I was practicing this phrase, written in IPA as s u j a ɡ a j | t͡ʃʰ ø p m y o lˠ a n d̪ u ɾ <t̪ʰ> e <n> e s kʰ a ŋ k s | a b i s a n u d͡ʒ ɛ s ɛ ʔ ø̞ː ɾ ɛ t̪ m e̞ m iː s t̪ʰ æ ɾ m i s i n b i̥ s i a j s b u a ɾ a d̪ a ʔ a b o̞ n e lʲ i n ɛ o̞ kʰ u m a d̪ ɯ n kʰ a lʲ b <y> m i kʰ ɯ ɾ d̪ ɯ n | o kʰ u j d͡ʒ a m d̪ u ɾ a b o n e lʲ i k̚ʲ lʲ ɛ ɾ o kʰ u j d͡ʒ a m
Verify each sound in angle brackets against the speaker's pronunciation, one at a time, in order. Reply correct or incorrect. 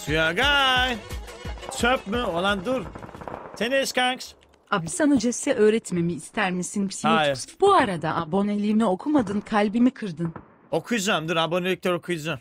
correct, correct, incorrect

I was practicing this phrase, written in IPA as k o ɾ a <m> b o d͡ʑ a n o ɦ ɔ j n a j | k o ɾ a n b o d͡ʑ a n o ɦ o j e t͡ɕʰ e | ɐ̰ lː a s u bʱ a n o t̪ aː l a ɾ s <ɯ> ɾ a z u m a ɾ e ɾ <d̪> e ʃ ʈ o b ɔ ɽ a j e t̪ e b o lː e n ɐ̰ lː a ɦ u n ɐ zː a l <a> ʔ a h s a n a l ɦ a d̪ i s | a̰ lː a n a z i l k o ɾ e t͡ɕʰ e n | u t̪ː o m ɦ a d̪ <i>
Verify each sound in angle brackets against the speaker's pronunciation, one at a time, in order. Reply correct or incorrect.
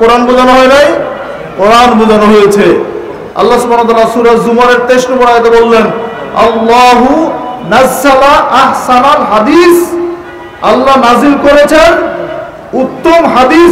incorrect, incorrect, incorrect, correct, correct

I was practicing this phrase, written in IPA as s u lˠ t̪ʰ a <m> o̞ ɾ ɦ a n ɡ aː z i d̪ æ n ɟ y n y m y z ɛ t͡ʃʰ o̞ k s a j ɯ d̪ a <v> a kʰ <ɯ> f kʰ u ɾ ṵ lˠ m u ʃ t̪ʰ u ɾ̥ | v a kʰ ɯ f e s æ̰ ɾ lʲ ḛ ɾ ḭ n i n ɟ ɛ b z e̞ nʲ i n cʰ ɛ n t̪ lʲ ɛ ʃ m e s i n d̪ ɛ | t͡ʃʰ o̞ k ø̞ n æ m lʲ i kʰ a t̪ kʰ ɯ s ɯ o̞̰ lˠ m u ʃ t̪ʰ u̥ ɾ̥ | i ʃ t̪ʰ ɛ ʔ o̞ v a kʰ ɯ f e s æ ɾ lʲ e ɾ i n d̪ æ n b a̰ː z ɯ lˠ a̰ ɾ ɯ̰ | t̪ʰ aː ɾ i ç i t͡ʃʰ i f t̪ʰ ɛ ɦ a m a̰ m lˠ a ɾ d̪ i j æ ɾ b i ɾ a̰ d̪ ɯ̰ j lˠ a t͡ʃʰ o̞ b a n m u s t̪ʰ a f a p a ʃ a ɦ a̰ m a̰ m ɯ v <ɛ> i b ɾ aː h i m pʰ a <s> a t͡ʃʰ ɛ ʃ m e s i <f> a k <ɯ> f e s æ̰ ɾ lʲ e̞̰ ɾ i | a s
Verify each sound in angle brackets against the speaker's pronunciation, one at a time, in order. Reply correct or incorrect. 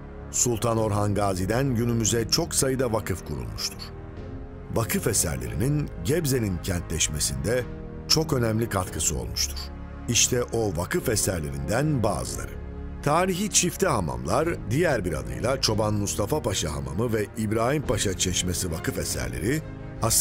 incorrect, correct, correct, correct, incorrect, incorrect, correct

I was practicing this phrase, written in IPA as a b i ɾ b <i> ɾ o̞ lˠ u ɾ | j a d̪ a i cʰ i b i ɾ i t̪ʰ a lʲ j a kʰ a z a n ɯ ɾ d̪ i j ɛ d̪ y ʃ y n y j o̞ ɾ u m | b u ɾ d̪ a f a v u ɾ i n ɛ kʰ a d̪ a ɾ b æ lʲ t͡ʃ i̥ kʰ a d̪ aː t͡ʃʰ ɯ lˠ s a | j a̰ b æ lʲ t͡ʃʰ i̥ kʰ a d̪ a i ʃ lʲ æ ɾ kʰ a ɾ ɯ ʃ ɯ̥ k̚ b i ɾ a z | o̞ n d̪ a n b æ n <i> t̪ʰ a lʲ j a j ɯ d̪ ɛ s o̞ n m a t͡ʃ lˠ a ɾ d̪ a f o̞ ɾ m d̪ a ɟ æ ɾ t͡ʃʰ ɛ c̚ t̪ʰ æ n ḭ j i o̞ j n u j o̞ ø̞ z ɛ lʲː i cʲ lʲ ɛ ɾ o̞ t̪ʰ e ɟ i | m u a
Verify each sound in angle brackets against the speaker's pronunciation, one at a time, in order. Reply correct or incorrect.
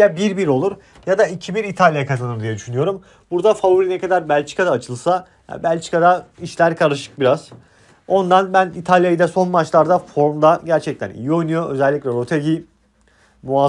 correct, correct

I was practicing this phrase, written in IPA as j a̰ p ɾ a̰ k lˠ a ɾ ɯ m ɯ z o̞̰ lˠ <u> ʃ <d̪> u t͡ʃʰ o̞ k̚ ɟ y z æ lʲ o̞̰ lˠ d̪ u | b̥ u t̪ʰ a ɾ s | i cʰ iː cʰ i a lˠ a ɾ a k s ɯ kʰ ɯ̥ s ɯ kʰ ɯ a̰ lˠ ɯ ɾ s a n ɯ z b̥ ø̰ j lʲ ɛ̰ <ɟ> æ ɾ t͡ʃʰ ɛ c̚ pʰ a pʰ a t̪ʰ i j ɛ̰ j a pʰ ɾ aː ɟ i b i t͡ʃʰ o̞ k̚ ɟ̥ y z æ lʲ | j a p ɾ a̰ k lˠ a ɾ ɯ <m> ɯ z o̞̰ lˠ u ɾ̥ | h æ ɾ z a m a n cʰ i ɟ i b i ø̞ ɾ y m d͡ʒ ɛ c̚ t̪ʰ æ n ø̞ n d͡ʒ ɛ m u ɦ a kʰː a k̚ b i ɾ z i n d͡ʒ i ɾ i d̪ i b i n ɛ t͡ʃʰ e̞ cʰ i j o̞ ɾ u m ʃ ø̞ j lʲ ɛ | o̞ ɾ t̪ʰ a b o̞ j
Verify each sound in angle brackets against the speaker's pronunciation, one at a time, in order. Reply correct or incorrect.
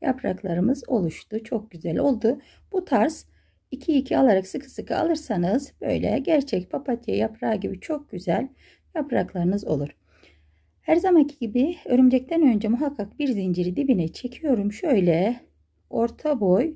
correct, incorrect, correct, incorrect

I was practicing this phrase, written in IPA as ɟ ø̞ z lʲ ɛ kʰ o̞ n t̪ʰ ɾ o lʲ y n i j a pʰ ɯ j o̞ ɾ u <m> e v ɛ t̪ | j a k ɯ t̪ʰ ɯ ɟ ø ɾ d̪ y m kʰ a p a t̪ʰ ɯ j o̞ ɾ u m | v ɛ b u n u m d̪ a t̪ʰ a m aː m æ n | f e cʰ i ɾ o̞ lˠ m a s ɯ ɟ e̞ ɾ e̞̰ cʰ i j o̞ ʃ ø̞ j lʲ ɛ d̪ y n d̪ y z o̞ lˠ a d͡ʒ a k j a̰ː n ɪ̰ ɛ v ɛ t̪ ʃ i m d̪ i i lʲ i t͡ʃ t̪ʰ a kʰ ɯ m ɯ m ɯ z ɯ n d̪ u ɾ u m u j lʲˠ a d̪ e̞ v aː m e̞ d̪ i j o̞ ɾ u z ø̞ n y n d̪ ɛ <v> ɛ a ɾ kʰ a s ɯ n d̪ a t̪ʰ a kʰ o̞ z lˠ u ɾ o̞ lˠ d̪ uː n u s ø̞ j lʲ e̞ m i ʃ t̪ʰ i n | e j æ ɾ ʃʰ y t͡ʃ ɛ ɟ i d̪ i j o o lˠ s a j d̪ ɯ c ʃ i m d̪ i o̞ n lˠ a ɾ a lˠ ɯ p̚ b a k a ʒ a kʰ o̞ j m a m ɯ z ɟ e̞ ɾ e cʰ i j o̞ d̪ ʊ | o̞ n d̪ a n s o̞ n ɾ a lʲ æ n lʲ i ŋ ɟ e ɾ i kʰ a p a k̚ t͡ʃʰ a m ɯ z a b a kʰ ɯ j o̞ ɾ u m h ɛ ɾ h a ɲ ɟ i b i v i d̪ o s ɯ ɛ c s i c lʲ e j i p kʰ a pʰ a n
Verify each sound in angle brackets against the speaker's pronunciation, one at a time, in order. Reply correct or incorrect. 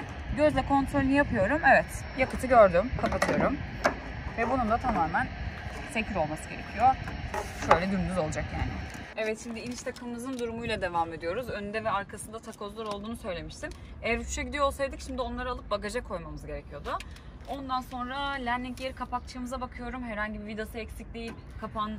correct, correct

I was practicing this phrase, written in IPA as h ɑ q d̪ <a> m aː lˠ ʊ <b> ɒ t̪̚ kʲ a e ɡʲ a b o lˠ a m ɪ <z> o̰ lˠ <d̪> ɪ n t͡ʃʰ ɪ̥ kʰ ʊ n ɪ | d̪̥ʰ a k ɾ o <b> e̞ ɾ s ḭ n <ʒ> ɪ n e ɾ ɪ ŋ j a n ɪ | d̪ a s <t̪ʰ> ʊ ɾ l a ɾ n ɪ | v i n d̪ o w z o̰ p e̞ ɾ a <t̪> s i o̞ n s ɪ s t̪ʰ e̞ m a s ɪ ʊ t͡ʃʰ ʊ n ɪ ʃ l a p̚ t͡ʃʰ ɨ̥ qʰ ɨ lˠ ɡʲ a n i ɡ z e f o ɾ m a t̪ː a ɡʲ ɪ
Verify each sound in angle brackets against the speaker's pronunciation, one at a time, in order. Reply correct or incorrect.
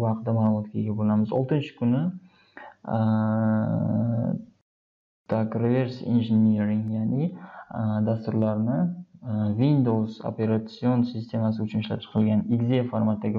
correct, incorrect, correct, incorrect, incorrect, correct, incorrect, correct

